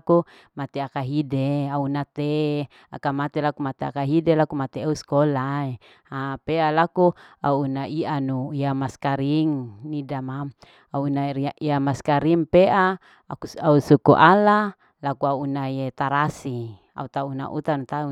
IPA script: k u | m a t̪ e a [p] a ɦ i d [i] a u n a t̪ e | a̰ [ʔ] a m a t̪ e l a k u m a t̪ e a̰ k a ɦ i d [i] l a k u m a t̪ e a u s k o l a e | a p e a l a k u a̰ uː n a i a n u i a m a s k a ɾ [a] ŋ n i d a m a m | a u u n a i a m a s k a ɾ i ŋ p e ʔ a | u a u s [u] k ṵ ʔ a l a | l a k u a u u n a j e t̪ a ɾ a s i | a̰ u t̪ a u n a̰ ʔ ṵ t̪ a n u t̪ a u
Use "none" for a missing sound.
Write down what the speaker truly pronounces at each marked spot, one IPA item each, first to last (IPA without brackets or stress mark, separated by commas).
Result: k, e, k, e, i, u